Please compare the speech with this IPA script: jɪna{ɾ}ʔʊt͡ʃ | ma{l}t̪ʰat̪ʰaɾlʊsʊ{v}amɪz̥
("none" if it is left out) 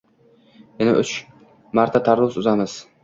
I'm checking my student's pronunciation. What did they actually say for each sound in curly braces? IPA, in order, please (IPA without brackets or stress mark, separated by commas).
none, ɾ, z